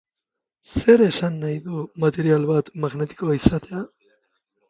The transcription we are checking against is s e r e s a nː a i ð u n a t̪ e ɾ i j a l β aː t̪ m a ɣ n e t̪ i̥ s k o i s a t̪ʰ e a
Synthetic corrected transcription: s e ɾ e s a nː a j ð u m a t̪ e ɾ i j a l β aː t̪ m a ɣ n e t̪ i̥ k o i s a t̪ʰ e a